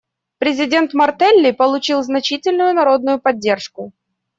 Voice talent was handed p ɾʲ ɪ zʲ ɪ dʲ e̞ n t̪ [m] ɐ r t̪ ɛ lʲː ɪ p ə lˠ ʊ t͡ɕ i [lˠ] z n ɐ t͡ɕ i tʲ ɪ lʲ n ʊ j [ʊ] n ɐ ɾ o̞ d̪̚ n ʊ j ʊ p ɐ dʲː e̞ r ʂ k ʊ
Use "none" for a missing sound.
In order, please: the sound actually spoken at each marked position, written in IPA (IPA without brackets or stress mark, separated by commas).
m, lˠ, ʊ